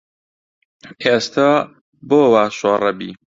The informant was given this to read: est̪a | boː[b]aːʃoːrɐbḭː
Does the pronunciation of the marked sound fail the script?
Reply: yes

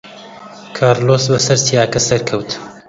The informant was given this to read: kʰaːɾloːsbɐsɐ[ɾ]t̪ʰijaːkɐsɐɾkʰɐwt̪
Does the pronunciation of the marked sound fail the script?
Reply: no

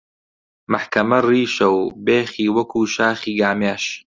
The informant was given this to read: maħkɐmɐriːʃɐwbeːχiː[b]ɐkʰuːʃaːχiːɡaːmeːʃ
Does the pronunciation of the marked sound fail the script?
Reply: yes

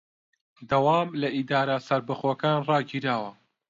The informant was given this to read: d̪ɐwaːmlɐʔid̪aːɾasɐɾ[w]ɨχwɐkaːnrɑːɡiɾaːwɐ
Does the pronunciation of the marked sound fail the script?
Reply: yes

